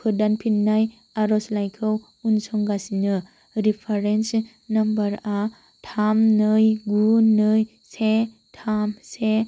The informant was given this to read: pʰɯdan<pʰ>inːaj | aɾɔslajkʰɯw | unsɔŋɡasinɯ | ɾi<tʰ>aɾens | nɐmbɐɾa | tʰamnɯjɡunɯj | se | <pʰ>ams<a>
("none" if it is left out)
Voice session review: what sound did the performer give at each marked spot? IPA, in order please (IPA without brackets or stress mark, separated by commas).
pʰ, pʰ, tʰ, e